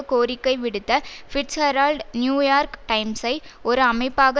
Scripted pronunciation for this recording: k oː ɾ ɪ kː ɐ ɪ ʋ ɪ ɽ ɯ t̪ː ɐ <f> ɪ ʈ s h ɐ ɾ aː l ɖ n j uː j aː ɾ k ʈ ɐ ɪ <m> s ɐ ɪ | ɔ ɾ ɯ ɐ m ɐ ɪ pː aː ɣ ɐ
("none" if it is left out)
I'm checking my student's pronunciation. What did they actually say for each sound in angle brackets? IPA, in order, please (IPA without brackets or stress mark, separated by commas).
f, m